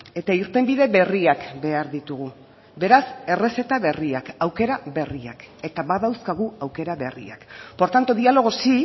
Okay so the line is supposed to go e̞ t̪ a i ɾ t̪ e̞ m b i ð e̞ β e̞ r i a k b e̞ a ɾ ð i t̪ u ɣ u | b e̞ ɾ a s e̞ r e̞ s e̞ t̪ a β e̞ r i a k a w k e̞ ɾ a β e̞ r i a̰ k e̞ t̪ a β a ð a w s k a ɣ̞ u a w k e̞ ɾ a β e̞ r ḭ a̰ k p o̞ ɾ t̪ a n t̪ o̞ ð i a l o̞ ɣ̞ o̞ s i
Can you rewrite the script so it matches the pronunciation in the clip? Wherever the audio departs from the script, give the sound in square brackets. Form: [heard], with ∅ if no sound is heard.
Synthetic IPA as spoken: e̞ t̪ a i ɾ t̪ e̞ m b i ð e̞ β e̞ r i a k b e̞ a ɾ ð i t̪ u ɣ u | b e̞ ɾ a s e̞ r e̞ s e̞ t̪ a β e̞ r i a k a w k e̞ ɾ a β e̞ r i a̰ k e̞ t̪ a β a ð a w s k a ɣ̞ u a w k e̞ ɾ a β e̞ r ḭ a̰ k p o̞ ɾ t̪ a n t̪ o̞ ð i a l o̞ ɣ̞ o̞ s i